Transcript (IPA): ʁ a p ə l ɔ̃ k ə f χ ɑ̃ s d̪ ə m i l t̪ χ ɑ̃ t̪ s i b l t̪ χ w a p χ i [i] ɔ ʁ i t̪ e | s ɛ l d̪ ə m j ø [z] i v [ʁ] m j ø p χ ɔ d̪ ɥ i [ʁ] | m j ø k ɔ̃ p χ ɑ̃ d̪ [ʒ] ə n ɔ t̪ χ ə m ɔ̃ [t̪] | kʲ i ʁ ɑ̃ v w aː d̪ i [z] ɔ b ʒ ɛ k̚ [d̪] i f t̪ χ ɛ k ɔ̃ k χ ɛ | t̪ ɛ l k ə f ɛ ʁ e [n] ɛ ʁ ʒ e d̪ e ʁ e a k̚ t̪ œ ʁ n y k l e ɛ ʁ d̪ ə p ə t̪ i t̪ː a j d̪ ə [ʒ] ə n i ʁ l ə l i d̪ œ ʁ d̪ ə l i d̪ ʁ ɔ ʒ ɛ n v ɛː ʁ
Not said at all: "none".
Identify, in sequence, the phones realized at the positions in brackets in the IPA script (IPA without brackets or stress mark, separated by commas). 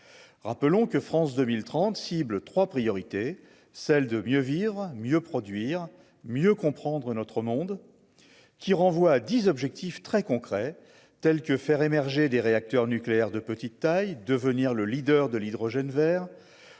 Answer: j, v, ʁ, ʁ, ʁ, d̪, z, t̪, m, v